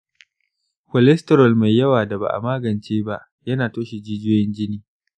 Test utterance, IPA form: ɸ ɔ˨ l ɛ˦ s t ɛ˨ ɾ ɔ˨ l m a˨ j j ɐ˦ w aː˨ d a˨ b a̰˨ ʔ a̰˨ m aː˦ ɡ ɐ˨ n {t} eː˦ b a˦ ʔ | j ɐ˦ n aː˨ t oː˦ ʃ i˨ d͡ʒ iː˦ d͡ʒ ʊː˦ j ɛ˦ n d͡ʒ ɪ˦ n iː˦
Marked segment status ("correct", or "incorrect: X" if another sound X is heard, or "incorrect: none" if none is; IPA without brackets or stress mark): incorrect: t͡ʃ